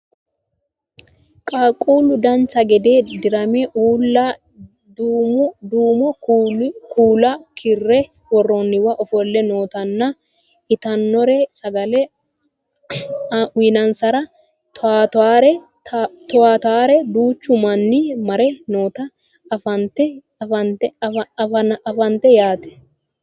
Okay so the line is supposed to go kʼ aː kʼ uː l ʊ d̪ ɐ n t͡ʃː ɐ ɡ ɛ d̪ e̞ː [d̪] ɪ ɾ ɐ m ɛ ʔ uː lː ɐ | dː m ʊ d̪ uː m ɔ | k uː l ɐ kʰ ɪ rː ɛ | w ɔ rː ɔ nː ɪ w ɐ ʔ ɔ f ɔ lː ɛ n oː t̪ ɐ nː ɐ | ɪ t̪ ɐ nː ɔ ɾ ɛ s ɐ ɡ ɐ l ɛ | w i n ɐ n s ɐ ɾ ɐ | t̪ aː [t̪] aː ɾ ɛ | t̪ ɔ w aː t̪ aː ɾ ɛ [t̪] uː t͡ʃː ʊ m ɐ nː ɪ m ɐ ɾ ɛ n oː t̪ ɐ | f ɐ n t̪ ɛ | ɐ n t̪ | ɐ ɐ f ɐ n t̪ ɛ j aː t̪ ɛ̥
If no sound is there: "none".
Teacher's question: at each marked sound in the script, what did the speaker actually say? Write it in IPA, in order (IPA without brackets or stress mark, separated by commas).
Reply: d̪, t̪, d̪